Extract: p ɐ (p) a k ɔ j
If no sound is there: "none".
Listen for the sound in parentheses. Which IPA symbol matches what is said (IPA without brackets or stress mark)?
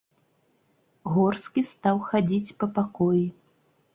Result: p